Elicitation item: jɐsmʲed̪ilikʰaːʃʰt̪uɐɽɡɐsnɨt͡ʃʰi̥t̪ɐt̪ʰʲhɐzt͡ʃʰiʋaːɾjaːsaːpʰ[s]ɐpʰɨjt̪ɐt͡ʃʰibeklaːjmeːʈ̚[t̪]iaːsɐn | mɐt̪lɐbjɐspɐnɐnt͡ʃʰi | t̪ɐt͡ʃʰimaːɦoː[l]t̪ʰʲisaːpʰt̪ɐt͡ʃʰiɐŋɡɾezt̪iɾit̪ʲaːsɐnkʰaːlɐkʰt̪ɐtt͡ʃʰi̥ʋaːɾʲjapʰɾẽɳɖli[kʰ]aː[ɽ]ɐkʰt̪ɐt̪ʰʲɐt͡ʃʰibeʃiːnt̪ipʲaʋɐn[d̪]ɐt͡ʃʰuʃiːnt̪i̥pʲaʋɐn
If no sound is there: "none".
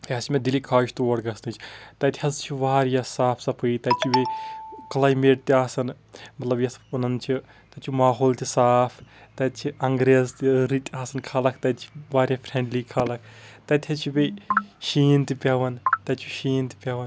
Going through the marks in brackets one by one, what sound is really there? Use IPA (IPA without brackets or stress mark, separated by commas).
s, t̪, l, kʰ, l, t̪